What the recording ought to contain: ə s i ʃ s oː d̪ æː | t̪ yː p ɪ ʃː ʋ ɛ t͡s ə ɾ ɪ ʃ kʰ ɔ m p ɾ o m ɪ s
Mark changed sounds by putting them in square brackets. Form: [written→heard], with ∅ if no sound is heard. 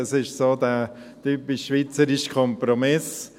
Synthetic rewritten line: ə s [i→ɪ] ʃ s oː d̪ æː | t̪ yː p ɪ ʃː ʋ [ɛ→i] t͡s ə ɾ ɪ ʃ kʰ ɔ m p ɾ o m ɪ s